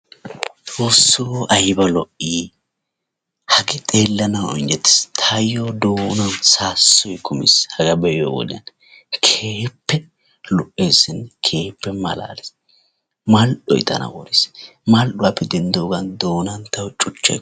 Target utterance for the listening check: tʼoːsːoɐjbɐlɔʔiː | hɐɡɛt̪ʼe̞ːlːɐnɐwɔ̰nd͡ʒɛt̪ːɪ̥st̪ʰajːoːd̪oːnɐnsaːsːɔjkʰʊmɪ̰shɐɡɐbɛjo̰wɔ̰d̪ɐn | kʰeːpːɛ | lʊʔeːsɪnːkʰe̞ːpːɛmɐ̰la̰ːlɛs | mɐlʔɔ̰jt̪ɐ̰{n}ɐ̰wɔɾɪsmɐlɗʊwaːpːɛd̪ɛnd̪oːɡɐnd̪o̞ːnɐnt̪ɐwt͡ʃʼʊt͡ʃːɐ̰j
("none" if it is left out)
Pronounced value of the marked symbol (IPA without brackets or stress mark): n